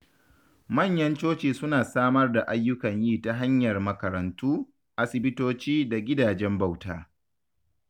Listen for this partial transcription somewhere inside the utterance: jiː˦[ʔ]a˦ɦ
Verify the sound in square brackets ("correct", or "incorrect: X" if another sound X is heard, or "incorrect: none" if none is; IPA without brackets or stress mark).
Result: incorrect: t